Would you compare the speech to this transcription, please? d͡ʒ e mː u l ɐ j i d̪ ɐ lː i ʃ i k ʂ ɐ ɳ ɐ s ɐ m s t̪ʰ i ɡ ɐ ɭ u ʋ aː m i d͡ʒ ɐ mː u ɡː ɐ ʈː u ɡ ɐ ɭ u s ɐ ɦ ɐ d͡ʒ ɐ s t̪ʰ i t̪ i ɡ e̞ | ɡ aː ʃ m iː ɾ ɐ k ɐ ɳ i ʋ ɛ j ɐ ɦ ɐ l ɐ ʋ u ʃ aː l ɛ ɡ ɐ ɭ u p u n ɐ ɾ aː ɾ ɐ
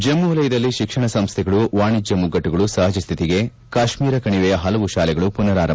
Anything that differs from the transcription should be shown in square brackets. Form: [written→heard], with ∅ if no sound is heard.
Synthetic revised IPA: d͡ʒ e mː u l ɐ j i d̪ ɐ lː i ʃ i k ʂ ɐ ɳ ɐ s ɐ m s t̪ʰ [i→ɛ] ɡ ɐ ɭ u ʋ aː [m→ɳ] i d͡ʒ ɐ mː u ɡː ɐ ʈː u ɡ ɐ ɭ u s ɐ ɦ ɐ d͡ʒ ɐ s t̪ʰ i t̪ i ɡ e̞ | [ɡ→k] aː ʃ m iː ɾ ɐ k ɐ ɳ i ʋ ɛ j ɐ ɦ ɐ l ɐ ʋ u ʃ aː l ɛ ɡ ɐ ɭ u p u n ɐ ɾ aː ɾ ɐ